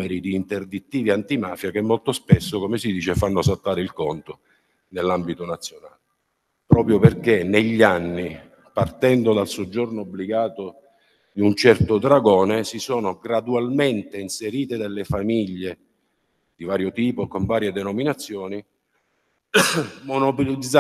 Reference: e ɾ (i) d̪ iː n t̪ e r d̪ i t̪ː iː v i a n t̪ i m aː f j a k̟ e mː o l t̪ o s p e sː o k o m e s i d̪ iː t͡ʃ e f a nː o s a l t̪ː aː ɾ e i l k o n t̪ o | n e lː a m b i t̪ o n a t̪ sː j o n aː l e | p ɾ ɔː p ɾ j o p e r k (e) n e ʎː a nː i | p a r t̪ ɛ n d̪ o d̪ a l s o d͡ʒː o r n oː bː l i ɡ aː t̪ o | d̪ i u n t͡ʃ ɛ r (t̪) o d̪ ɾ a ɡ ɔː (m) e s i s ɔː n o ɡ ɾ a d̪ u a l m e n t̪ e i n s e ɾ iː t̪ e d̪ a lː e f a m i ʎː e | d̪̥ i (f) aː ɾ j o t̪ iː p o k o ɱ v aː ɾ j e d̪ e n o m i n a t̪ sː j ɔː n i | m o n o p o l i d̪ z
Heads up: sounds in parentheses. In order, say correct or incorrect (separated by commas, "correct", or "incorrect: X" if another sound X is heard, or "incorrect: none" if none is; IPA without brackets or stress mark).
correct, correct, correct, incorrect: n, incorrect: v